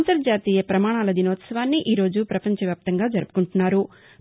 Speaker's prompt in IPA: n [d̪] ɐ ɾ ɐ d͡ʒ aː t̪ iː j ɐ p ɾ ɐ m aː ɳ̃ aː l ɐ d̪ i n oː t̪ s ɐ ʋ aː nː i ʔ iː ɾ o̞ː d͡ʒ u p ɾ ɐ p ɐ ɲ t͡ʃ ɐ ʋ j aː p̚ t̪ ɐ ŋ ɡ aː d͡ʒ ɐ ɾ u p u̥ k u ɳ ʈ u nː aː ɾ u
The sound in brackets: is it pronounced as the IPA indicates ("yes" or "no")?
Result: no